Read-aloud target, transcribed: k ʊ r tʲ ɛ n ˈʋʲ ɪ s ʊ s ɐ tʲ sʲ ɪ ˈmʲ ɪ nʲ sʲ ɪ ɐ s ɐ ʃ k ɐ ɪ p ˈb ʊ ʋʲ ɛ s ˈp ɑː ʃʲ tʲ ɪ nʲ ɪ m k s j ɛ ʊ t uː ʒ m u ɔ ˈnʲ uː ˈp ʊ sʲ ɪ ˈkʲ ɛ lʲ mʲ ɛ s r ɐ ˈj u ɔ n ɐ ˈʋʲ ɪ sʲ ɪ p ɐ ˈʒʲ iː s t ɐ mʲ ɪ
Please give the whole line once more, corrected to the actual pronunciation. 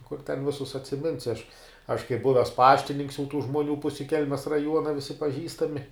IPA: k ʊ r tʲ ɛ n ˈʋʲ ɪ s ʊ s ɐ tʲ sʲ ɪ ˈmʲ ɪ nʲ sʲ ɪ ɐ ʃ ɐ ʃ k ɐ ɪ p ˈb ʊ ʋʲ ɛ s ˈp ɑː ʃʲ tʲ ɪ nʲ ɪ ŋ k s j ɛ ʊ t uː ʒ m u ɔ ˈnʲ uː ˈp ʊ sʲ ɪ ˈkʲ ɛ lʲ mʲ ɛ s r ɐ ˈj u ɔ n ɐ ˈʋʲ ɪ sʲ ɪ p ɐ ˈʒʲ iː s t ɐ mʲ ɪ